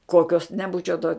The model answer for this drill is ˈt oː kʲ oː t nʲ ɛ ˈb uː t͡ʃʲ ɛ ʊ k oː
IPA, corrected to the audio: ˈk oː kʲ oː s nʲ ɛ ˈb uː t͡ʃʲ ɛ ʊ t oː